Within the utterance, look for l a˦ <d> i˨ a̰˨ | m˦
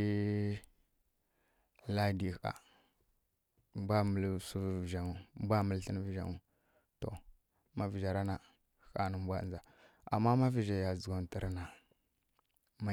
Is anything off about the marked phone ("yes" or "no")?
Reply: no